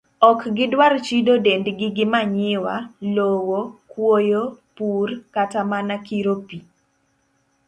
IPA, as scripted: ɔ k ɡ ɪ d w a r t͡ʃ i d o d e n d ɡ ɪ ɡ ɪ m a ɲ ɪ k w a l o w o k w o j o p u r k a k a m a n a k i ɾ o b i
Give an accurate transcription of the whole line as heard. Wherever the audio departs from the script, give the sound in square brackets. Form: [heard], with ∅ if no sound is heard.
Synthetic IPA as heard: ɔ k ɡ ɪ d w a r t͡ʃ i d o d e n d ɡ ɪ ɡ ɪ m a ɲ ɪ [∅] w a l o w o k w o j o p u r k a [t] a m a n a k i ɾ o [p] i

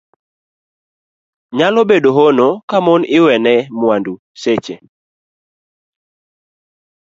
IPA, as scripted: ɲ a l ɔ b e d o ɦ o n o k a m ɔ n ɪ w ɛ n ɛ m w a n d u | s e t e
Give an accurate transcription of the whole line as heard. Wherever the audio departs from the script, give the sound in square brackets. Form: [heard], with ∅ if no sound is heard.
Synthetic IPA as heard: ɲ a l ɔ b e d o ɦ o n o k a m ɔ n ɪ w ɛ n ɛ m w a n d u | s e [t͡ʃ] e

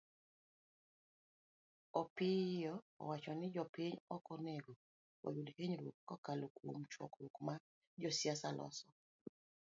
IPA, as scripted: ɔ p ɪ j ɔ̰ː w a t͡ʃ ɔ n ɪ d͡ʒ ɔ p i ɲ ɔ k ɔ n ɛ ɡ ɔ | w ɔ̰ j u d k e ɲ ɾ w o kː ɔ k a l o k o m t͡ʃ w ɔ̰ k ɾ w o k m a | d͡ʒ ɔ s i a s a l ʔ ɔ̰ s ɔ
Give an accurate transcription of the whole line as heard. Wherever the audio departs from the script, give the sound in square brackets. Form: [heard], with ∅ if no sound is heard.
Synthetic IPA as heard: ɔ p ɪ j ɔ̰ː w a t͡ʃ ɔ n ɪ d͡ʒ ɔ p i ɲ ɔ k ɔ n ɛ ɡ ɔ | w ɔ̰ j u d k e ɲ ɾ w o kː ɔ k a l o k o m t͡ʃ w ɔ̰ k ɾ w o k m a | d͡ʒ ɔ s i a s a l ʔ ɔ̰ s ɔ

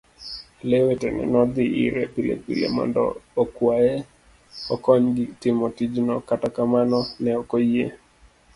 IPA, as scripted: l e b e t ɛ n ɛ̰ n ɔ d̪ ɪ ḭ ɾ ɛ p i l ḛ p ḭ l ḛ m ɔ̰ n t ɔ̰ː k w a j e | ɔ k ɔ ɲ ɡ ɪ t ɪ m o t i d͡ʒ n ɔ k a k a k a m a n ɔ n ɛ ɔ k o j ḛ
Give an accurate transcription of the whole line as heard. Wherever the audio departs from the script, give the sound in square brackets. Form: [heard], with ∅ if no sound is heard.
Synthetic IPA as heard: l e [w] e t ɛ n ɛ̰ n ɔ d̪ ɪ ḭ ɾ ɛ p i l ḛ p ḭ l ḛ m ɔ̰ n [d] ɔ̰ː k w a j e | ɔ k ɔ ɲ ɡ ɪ t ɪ m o t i d͡ʒ n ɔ k a [t] a k a m a n ɔ n ɛ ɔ k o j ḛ

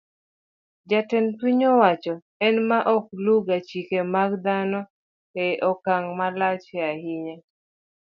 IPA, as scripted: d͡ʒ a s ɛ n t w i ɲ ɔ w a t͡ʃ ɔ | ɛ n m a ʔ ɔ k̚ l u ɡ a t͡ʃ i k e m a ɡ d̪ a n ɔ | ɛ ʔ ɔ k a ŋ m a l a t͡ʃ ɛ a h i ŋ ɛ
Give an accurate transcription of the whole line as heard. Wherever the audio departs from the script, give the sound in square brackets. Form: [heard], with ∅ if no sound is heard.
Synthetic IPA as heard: d͡ʒ a [t] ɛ n t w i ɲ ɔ w a t͡ʃ ɔ | ɛ n m a ʔ ɔ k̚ l u ɡ a t͡ʃ i k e m a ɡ d̪ a n ɔ | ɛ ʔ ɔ k a ŋ m a l a t͡ʃ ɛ a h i [ɲ] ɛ

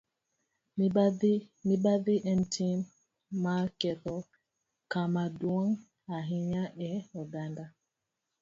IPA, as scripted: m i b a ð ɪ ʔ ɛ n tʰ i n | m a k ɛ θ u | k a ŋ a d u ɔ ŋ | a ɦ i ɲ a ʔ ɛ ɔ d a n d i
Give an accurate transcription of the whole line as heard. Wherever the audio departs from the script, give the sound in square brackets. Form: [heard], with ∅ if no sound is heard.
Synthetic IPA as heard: m i b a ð [i] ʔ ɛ n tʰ i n | m a k ɛ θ [ɔ] | k a [m] a d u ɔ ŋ | a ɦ i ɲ a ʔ ɛ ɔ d a n d [a]

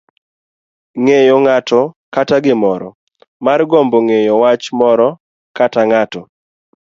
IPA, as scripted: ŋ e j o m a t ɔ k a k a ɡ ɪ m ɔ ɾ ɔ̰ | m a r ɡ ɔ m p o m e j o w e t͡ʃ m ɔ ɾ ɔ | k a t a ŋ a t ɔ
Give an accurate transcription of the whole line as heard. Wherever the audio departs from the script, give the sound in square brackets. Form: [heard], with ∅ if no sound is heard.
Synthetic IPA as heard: ŋ e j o [ŋ] a t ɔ k a [t] a ɡ ɪ m ɔ ɾ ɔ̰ | m a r ɡ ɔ m [b] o [ŋ] e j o w [a] t͡ʃ m ɔ ɾ ɔ | k a t a ŋ a t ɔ

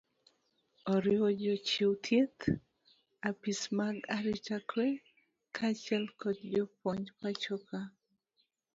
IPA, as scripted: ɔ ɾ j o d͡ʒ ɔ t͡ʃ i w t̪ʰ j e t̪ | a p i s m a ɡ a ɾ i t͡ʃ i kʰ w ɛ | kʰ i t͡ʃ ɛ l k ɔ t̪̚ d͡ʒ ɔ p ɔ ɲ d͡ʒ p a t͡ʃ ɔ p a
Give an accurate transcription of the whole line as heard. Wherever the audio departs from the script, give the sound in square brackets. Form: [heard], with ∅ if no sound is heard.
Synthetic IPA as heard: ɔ ɾ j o d͡ʒ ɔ t͡ʃ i w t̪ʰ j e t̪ | a p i s m a ɡ a ɾ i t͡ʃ [a] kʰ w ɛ | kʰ [a] t͡ʃ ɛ l k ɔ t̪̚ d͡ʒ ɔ p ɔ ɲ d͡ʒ p a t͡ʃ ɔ [k] a

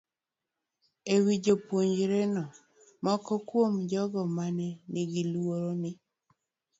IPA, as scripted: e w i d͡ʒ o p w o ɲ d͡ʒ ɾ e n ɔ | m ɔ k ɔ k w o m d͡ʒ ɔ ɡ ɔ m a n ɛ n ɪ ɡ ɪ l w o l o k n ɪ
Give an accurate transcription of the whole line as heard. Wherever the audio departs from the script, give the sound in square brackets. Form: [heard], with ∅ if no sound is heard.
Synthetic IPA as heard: e w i d͡ʒ o p w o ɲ d͡ʒ ɾ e n ɔ | m ɔ k ɔ k w o m d͡ʒ ɔ ɡ ɔ m a n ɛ n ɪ ɡ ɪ l w o [ɾ] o [∅] n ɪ

